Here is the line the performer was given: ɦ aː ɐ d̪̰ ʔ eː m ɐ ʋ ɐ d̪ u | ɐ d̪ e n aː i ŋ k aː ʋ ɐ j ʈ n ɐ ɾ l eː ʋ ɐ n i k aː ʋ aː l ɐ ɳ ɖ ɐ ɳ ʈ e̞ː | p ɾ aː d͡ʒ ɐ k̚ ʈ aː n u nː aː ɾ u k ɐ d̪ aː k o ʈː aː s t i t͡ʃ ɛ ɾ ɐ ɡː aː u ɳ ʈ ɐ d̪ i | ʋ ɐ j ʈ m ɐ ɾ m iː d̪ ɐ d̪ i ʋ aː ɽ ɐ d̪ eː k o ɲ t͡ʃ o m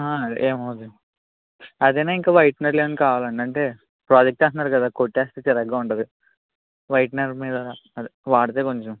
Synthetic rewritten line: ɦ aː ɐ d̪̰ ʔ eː m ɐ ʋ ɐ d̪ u | ɐ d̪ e n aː i ŋ k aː ʋ ɐ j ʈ n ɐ ɾ l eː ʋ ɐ n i k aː ʋ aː l ɐ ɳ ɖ ɐ ɳ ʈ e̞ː | p ɾ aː d͡ʒ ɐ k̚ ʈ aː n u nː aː ɾ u k ɐ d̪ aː k o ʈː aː s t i t͡ʃ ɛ ɾ ɐ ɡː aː u ɳ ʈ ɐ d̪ i | ʋ ɐ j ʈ n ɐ ɾ m iː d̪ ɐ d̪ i ʋ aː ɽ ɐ t̪ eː k o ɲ t͡ʃ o m